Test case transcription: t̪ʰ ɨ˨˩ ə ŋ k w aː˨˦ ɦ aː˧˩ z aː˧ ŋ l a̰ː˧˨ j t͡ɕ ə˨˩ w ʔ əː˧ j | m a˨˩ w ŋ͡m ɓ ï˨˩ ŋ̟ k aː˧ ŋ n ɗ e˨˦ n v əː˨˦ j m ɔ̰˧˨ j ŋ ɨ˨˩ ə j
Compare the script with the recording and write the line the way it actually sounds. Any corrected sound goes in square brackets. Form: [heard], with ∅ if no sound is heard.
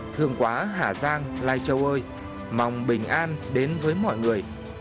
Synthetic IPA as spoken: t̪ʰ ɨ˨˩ ə ŋ k w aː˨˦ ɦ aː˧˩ z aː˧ ŋ l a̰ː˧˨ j t͡ɕ ə˨˩ w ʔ əː˧ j | m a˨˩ w ŋ͡m ɓ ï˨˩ ŋ̟ [ʔ] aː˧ [∅] n ɗ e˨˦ n v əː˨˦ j m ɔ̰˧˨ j ŋ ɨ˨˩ ə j

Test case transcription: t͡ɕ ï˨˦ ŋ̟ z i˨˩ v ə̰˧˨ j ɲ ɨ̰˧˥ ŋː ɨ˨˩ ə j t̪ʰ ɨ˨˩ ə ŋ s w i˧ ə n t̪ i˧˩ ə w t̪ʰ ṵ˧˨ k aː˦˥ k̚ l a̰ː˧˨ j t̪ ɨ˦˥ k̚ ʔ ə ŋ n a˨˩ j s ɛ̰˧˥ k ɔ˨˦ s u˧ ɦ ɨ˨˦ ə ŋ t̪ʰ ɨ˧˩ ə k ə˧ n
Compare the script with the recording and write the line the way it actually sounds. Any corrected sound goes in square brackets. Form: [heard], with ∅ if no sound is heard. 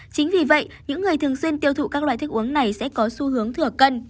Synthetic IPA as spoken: t͡ɕ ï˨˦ ŋ̟ [v] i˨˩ v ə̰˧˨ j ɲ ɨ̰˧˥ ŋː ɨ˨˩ ə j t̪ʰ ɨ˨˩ ə ŋ s w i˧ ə n t̪ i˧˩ ə w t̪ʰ ṵ˧˨ k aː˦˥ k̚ l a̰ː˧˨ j t̪ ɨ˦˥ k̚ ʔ ə ŋ n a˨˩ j s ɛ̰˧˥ k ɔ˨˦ s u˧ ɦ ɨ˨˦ ə ŋ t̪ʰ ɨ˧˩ ə k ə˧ n

